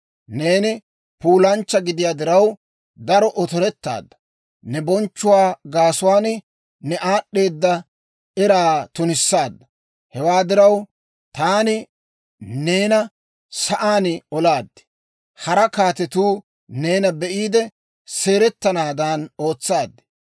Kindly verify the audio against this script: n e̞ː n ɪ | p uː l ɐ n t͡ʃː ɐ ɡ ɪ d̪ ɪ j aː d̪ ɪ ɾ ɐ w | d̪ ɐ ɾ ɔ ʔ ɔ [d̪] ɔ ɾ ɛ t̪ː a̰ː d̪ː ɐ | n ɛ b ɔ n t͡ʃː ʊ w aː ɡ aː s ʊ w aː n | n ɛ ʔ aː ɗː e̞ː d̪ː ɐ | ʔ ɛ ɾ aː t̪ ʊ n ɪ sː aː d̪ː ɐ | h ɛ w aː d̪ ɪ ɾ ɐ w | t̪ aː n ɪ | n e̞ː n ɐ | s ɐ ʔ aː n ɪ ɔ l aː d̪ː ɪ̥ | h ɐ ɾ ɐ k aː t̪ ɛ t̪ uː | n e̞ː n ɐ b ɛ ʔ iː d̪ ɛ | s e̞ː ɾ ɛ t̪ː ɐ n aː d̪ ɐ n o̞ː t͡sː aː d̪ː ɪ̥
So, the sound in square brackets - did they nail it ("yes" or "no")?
no